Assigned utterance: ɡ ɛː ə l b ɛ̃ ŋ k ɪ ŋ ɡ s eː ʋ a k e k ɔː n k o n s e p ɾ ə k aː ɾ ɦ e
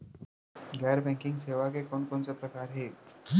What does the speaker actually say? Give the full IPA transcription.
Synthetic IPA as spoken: ɡ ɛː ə ɾ b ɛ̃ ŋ k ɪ ŋ ɡ s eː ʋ a k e k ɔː n k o n s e p ɾ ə k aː ɾ ɦ e